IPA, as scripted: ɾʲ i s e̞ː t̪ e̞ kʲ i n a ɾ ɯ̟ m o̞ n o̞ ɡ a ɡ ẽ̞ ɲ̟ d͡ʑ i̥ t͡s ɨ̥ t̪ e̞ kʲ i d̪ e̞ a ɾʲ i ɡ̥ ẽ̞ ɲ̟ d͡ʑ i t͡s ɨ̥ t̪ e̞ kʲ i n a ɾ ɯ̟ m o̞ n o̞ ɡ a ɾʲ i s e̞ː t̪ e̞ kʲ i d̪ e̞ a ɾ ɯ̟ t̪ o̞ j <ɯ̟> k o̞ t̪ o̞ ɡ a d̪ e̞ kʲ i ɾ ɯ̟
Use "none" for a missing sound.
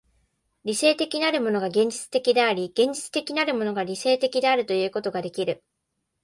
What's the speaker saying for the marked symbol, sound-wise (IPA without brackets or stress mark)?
ɯ̟ː